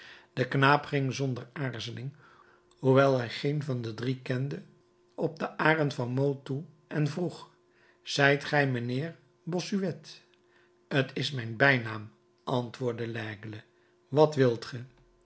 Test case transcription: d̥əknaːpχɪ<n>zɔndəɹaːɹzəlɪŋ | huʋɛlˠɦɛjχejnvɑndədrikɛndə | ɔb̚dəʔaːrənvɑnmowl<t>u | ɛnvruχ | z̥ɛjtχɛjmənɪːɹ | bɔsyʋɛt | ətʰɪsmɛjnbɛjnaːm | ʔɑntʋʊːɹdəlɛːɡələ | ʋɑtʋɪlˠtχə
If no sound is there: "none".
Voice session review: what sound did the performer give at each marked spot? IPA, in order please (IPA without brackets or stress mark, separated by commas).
ŋ, t